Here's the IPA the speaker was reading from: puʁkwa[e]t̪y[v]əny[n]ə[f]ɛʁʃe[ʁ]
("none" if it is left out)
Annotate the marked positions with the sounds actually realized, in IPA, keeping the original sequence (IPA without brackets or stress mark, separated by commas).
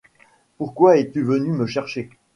ɛ, v, m, ʃ, none